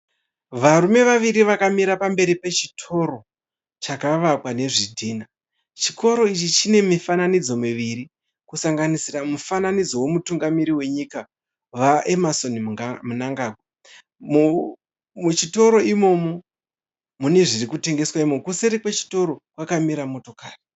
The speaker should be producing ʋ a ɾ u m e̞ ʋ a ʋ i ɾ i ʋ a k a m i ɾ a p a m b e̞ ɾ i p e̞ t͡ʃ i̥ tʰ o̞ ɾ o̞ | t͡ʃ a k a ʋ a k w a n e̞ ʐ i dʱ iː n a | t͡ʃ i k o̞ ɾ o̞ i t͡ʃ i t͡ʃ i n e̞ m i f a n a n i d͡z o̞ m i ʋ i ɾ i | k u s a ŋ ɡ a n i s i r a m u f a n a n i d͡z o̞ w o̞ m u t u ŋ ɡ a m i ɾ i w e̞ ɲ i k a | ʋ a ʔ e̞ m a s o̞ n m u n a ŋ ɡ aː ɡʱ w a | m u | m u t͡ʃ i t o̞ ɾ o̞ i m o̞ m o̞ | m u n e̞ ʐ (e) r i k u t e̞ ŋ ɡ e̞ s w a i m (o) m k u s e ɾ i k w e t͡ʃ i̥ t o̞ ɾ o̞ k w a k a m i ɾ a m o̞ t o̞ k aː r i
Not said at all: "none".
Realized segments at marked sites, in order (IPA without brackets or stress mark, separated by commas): i, o